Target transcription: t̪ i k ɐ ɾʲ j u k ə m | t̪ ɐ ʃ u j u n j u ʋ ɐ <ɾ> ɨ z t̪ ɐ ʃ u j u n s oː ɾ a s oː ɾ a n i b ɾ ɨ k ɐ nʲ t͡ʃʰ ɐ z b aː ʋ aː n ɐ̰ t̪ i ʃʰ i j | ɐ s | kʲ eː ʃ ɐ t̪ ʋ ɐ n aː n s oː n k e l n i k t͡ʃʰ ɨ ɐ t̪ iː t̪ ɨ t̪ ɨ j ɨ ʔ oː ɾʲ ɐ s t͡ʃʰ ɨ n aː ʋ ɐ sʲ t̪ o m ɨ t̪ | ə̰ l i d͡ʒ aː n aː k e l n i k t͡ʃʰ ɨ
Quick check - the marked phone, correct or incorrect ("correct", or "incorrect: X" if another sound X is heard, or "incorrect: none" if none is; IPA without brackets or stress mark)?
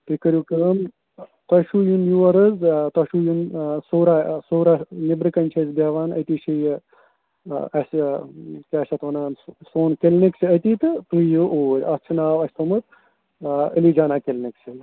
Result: correct